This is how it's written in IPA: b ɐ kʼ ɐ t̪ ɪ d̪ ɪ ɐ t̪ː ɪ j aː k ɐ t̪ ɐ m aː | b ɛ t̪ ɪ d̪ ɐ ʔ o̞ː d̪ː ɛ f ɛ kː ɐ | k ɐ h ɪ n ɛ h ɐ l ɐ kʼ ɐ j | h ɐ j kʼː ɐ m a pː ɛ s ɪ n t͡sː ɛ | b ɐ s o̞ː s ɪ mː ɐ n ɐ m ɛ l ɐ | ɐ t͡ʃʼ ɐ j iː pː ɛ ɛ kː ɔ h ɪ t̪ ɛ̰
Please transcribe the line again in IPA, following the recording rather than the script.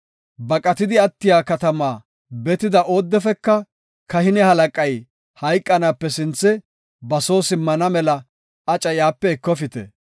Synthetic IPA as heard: b ɐ kʼ ɐ t̪ ɪ d̪ ɪ ɐ t̪ː ɪ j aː k ɐ t̪ ɐ m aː | b ɛ t̪ ɪ d̪ ɐ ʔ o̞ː d̪ː ɛ f ɛ kː ɐ | k ɐ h ɪ n ɛ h ɐ l ɐ kʼ ɐ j | h ɐ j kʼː ɐ n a pː ɛ s ɪ n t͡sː ɛ | b ɐ s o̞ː s ɪ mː ɐ n ɐ m ɛ l ɐ | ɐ t͡ʃʼ ɐ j aː pː ɛ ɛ kː ɔ f ɪ t̪ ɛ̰